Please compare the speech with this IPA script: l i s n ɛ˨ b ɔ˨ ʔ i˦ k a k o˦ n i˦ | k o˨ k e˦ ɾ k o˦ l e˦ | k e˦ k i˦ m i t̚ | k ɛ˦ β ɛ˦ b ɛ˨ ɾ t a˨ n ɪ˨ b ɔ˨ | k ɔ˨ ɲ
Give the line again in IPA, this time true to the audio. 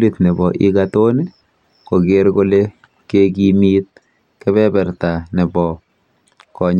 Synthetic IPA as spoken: l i t n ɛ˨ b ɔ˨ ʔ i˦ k a t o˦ n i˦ | k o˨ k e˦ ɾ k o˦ l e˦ | k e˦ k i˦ m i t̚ | k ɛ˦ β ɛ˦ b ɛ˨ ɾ t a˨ n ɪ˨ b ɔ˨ | k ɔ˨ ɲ